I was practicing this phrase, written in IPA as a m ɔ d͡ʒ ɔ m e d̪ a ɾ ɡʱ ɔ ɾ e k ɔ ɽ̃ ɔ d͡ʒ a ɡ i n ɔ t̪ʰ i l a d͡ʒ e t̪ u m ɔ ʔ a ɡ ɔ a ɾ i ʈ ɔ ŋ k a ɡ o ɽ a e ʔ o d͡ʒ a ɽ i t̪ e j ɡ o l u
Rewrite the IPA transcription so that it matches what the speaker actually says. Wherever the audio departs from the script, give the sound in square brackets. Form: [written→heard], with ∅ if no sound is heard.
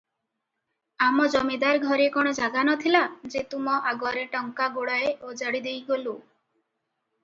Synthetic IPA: a m ɔ d͡ʒ ɔ m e d̪ a ɾ ɡʱ ɔ ɾ e k ɔ ɽ̃ ɔ d͡ʒ a ɡ [i→a] n ɔ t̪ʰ i l a d͡ʒ e t̪ u m ɔ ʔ a ɡ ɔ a ɾ [i→e] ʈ ɔ ŋ k a ɡ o ɽ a e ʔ o d͡ʒ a ɽ i [t̪→d̪] e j ɡ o l u